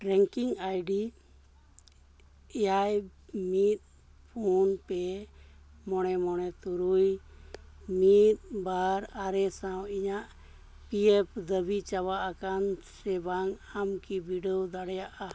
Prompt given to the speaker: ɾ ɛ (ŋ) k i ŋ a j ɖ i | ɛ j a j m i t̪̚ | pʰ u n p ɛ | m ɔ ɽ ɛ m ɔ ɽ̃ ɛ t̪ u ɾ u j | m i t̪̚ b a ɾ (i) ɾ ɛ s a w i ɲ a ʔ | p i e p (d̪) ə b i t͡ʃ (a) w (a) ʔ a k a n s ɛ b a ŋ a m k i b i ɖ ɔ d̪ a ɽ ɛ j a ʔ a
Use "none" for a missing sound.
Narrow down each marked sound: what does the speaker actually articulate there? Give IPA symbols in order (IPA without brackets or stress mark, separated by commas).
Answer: ŋ, a, d̪, a, a